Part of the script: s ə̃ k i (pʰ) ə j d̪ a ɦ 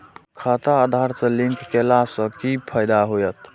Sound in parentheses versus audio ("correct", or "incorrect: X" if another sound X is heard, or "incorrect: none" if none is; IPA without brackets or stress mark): correct